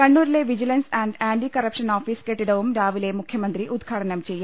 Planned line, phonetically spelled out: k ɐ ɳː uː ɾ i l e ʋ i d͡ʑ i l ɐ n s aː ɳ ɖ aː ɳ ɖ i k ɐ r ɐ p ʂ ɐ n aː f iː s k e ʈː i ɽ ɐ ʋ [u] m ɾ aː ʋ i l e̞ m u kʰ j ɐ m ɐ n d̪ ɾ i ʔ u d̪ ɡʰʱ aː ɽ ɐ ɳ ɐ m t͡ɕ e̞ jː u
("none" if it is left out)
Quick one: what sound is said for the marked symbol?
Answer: u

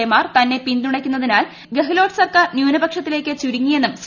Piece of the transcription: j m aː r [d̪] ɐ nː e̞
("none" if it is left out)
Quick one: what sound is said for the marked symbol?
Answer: t̪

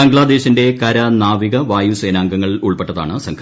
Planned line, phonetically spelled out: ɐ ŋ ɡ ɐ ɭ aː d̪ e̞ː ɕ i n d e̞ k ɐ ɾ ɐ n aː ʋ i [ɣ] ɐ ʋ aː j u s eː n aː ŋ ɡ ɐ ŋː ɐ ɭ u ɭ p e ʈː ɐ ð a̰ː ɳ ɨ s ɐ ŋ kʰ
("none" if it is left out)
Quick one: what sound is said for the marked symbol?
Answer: ɣ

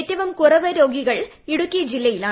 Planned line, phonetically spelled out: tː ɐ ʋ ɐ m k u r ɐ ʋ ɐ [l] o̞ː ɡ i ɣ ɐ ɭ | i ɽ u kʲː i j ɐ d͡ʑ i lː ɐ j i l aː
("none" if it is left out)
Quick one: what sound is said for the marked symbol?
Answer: ɾ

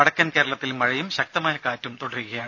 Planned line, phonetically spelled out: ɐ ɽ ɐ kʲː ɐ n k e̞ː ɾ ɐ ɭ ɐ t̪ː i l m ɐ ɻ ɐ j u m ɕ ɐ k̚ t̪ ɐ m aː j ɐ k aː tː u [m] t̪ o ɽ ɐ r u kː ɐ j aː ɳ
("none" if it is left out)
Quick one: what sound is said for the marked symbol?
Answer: m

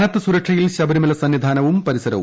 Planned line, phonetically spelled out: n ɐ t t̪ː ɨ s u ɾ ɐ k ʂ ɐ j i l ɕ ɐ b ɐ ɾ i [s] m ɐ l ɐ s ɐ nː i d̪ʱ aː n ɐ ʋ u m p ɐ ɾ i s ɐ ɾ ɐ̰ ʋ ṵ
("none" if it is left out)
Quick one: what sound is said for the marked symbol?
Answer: none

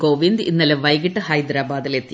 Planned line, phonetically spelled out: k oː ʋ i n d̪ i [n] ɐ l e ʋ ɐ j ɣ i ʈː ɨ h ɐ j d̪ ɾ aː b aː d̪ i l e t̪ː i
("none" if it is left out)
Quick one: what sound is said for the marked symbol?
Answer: nː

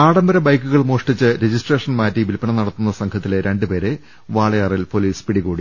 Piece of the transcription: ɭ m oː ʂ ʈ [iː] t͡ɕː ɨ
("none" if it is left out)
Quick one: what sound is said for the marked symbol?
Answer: i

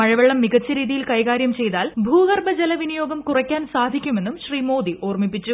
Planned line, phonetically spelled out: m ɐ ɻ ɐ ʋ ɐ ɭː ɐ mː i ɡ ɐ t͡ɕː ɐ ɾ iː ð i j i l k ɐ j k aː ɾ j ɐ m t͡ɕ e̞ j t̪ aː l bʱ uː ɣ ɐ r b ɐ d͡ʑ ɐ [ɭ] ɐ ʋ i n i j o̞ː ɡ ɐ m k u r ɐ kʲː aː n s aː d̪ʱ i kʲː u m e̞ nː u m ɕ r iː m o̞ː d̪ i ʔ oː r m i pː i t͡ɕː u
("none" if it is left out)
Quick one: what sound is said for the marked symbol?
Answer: l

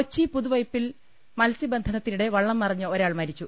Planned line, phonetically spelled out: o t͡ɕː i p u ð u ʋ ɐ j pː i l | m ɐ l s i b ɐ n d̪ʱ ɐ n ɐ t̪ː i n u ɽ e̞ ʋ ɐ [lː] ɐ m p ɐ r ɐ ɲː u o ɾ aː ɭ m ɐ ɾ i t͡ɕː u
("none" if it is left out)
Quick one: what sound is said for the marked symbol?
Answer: ɭː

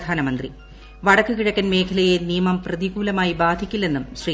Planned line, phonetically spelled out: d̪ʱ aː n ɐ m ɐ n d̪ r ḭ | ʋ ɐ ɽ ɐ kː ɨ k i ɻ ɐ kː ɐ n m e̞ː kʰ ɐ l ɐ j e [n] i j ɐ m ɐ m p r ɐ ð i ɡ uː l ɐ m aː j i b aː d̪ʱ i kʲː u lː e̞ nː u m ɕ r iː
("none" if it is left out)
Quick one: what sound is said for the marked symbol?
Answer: n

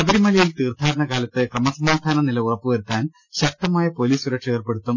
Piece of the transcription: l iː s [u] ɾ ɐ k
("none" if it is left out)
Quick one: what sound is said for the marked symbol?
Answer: u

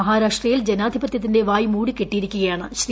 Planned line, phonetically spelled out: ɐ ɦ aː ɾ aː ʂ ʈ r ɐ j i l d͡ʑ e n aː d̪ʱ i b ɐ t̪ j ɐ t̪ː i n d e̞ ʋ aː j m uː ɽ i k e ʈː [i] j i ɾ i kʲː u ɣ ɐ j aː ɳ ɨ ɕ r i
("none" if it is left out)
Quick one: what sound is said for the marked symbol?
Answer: i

